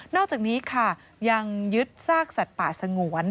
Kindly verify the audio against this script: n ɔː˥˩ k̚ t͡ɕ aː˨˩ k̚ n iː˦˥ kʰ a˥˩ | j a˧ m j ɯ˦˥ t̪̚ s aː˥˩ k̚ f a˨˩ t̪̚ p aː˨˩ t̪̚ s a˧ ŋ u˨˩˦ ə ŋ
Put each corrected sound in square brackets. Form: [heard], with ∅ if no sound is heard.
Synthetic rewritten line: n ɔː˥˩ k̚ t͡ɕ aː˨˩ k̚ n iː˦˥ kʰ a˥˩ | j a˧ [ŋ] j ɯ˦˥ t̪̚ s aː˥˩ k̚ [s] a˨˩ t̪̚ p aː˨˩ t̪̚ s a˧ ŋ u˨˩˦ ə [n]

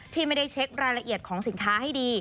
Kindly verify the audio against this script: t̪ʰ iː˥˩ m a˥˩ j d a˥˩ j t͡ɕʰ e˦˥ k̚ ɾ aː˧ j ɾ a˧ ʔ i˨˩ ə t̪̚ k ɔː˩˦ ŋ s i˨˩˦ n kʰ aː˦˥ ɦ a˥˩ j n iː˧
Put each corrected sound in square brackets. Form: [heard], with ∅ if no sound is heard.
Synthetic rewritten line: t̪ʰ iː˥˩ m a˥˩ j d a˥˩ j t͡ɕʰ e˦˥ k̚ ɾ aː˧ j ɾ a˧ ʔ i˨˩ ə t̪̚ [kʰ] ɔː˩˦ ŋ s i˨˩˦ n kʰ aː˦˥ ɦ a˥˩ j [d] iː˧

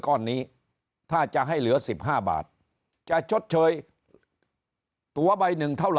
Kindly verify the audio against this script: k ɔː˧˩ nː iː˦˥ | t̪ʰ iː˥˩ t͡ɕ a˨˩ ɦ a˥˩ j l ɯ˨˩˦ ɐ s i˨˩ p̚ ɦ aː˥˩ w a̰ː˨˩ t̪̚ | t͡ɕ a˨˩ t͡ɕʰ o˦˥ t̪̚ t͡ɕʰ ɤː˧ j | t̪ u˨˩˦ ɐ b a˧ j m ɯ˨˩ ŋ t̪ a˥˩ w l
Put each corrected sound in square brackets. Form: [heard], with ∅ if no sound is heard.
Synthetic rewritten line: k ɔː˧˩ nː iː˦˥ | t̪ʰ [aː˥˩] t͡ɕ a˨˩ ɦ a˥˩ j l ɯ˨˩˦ ɐ s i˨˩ p̚ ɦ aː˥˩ [b] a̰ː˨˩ t̪̚ | t͡ɕ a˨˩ t͡ɕʰ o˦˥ t̪̚ t͡ɕʰ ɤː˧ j | t̪ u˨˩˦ ɐ b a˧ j [n] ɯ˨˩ ŋ [t̪ʰ] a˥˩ w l

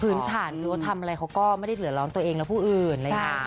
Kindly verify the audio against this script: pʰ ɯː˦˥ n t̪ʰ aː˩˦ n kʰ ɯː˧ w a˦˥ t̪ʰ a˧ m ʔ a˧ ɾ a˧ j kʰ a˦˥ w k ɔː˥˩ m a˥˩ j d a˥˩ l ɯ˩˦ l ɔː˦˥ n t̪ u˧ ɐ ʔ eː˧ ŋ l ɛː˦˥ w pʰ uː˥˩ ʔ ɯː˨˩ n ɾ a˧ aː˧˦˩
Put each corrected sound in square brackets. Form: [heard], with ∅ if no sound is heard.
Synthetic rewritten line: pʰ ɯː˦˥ n t̪ʰ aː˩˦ n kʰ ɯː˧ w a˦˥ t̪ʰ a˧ m ʔ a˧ ɾ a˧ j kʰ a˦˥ w k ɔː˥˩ m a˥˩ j d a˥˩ l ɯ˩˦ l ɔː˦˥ n t̪ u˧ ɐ ʔ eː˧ ŋ l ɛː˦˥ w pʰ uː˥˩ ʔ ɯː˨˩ n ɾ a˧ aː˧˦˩

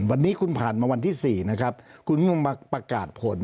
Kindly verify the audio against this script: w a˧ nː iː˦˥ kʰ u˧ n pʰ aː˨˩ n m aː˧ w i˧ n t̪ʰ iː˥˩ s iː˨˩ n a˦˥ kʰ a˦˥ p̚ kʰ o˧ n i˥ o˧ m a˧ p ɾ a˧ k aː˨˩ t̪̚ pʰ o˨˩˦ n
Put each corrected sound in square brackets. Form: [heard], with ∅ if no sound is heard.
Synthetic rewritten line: w a˧ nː iː˦˥ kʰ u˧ n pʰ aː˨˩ n m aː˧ w [a˧] n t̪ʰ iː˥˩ s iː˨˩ n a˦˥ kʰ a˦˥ p̚ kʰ [u˧] n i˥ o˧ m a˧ p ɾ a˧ k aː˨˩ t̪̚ pʰ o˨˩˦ n

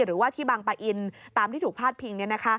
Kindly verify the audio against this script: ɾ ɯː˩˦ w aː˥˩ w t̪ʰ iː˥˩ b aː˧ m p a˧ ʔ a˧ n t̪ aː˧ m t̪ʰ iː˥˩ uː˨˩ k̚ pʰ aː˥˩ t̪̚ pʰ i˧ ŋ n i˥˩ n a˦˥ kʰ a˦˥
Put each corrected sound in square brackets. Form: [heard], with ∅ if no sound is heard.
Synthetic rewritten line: ɾ ɯː˩˦ w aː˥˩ [∅] t̪ʰ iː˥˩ b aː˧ [ŋ] p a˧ ʔ [i˧] n t̪ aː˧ m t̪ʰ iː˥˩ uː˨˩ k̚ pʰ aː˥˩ t̪̚ pʰ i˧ ŋ n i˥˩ n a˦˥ kʰ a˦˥

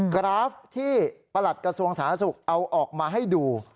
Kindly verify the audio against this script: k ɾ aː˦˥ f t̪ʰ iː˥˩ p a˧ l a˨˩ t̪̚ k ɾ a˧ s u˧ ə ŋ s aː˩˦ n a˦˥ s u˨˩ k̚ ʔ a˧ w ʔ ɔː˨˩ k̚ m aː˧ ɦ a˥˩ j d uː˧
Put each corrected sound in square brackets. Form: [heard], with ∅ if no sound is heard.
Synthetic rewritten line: k ɾ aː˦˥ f t̪ʰ iː˥˩ p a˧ l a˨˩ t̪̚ k ɾ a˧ s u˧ ə ŋ s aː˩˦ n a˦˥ s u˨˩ k̚ ʔ a˧ w ʔ ɔː˨˩ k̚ m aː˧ ɦ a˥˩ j d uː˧

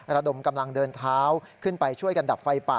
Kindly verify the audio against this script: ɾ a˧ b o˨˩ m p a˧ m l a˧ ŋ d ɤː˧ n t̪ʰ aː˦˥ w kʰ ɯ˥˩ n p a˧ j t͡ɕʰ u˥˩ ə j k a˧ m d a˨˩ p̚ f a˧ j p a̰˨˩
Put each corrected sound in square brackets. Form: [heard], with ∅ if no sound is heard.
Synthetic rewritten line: ɾ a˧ [d] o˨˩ m [k] a˧ m l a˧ ŋ d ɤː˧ n t̪ʰ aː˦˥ w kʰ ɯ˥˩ n p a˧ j t͡ɕʰ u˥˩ ə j k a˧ [n] d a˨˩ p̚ f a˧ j p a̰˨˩

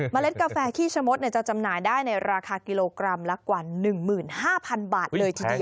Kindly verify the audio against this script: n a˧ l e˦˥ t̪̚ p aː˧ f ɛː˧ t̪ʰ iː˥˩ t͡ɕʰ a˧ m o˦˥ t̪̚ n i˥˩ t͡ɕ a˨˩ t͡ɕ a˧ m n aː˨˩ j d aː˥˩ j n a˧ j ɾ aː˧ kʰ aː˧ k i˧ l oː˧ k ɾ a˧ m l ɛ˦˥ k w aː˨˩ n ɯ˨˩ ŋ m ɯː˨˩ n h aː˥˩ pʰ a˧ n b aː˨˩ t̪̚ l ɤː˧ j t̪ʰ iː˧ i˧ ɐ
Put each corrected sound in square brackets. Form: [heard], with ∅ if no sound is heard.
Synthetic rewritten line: [m] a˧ l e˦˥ t̪̚ [k] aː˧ f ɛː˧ t̪ʰ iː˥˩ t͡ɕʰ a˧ m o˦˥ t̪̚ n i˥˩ t͡ɕ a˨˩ t͡ɕ a˧ m n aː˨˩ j d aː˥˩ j n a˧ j ɾ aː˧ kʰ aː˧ k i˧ l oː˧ k ɾ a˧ m l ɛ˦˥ k w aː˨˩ n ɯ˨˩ ŋ m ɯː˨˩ n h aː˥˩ pʰ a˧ n b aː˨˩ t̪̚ l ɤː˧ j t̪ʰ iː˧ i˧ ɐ

